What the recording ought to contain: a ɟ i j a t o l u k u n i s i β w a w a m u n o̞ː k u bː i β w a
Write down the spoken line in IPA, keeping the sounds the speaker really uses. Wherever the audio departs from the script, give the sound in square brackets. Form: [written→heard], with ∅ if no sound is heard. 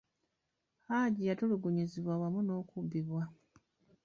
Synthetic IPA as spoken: a ɟ i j a t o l u [k→ɡ] u [n→ɲ] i [s→z] i β w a w a m u n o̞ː k u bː i β w a